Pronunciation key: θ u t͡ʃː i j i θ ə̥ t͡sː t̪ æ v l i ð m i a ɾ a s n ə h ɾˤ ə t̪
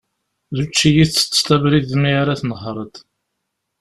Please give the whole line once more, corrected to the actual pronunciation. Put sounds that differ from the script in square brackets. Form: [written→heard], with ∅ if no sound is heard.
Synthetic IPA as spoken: [θ→ð] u t͡ʃː i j i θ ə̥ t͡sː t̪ æ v [l→ɾ] i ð m i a ɾ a [s→θ] n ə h ɾˤ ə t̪